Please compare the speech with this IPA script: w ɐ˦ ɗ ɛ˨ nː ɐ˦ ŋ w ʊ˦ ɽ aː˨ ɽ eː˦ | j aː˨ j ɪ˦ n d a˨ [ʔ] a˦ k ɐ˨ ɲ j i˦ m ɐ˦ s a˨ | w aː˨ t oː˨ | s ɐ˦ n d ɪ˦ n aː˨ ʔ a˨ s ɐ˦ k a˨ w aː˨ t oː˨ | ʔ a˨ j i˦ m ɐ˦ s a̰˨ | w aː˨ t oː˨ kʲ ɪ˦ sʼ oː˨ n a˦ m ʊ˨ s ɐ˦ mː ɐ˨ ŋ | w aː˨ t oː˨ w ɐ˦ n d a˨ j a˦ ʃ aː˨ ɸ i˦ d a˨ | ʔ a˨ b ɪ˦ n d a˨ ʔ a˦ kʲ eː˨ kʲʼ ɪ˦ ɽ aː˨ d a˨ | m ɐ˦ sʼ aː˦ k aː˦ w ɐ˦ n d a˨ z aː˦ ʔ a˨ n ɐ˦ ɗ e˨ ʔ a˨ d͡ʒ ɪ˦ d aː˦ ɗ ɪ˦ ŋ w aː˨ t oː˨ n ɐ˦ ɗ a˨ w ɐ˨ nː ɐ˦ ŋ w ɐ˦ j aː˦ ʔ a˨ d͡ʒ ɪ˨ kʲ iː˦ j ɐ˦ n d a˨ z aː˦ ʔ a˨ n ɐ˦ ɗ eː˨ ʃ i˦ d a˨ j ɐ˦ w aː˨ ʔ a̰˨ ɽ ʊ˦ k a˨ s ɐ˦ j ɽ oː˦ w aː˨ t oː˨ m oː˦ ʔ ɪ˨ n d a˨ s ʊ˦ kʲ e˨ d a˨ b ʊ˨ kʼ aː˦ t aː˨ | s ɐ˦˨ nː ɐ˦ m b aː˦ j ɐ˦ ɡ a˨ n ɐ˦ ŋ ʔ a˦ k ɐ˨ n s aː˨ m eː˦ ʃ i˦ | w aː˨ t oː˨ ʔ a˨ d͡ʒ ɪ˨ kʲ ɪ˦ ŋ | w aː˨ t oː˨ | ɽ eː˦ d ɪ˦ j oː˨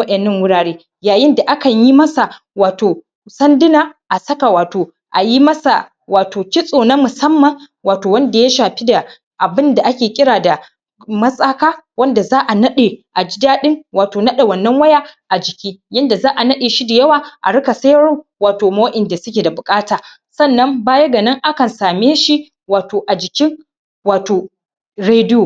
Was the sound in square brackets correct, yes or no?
yes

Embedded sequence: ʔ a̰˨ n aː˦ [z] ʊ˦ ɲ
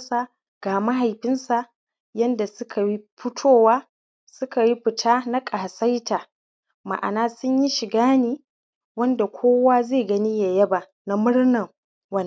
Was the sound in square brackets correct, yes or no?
no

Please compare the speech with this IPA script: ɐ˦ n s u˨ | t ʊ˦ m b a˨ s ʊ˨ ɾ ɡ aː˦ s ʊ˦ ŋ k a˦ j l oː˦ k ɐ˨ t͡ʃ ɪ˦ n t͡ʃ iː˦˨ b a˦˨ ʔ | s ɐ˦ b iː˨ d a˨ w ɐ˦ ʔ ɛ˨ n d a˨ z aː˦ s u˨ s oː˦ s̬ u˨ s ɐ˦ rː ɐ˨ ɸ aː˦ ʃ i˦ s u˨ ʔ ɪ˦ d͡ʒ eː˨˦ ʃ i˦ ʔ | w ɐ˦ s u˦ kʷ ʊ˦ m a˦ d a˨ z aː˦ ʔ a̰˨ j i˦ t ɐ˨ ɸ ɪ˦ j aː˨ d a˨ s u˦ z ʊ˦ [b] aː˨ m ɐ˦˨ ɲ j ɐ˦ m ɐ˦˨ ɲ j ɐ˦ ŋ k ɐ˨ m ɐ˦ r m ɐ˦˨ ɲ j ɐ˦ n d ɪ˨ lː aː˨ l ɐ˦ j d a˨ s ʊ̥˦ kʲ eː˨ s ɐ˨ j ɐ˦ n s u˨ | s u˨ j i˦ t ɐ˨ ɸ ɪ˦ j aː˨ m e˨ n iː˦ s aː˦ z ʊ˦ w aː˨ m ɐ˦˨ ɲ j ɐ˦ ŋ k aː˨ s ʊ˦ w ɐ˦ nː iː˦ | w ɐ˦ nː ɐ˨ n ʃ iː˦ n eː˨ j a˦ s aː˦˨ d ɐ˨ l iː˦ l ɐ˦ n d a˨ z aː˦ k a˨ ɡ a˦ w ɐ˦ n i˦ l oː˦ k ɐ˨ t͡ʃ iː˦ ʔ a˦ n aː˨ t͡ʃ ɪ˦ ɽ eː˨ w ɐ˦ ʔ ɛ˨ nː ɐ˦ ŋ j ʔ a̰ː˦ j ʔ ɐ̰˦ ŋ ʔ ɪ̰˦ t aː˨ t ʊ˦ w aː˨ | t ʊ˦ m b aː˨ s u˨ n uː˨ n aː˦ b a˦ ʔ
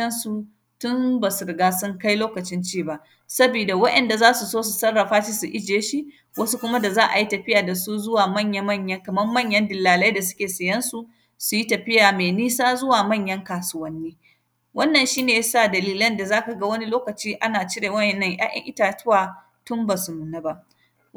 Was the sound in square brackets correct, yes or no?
no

